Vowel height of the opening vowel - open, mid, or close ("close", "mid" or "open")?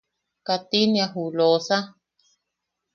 open